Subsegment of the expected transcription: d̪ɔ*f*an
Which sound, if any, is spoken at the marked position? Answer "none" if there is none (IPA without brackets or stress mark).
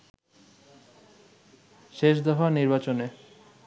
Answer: f